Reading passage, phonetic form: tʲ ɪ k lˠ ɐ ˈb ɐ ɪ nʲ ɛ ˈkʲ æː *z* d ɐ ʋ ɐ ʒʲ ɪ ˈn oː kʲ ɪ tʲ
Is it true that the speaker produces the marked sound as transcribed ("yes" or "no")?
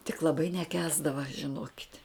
yes